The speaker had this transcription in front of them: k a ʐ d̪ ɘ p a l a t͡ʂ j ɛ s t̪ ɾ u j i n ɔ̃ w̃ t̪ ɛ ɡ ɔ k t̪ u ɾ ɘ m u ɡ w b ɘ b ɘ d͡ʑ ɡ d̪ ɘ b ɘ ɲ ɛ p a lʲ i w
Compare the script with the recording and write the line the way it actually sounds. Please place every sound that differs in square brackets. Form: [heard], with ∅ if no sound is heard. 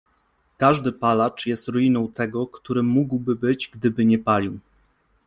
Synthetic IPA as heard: k a ʐ d̪ ɘ p a l a t͡ʂ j ɛ s t̪ ɾ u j i n ɔ̃ w̃ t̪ ɛ ɡ ɔ k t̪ u ɾ ɘ m u ɡ w b ɘ b ɘ d͡ʑ ɡ d̪ ɘ b ɘ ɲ ɛ p a lʲ i w